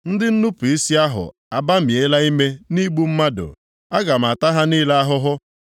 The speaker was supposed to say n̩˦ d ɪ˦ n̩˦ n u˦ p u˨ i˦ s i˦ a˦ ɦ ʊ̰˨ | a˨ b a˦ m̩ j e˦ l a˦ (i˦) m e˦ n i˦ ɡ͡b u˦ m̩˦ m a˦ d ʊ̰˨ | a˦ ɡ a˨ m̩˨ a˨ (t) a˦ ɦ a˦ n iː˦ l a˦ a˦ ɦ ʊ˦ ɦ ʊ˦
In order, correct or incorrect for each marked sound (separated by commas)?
correct, correct